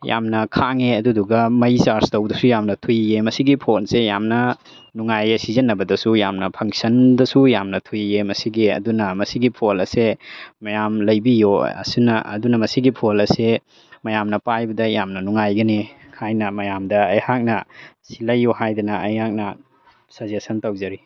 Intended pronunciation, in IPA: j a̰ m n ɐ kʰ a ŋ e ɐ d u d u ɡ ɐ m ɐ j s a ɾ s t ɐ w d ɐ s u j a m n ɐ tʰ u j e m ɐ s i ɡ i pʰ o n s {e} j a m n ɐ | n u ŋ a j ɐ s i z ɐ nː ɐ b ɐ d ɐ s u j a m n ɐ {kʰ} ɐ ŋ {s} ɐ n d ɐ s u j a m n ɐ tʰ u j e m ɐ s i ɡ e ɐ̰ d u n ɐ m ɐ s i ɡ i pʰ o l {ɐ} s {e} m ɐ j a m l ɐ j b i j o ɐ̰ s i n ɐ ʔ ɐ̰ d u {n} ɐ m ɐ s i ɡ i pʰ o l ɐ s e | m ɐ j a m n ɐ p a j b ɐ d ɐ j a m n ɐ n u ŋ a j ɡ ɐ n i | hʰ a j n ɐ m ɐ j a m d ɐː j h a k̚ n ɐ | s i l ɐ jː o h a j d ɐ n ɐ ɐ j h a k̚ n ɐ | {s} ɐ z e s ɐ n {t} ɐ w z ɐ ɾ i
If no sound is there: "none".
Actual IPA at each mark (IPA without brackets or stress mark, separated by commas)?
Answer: e, pʰ, s, ɐ, e, n, s, t